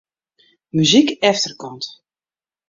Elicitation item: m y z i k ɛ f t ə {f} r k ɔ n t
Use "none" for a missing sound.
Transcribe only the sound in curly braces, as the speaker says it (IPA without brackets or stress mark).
none